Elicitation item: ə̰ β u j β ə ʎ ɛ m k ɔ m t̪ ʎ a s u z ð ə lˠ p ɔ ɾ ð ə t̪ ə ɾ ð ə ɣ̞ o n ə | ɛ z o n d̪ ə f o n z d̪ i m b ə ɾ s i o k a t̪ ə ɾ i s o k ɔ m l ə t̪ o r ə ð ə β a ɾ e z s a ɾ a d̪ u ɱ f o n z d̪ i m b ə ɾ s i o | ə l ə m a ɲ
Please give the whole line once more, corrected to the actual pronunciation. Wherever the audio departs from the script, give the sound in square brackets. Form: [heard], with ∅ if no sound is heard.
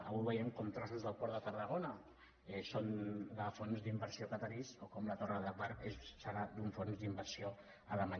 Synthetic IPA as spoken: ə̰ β u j β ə [j] ɛ m k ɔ m t̪ [ɾ] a s u z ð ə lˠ p ɔ ɾ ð ə t̪ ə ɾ ð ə ɣ̞ o n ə | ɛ [s] o n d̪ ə f o n z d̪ i m b ə ɾ s i o k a t̪ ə ɾ i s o k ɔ m l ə t̪ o r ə ð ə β a ɾ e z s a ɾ a d̪ u ɱ f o n z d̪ i m b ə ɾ s i o | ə l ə m a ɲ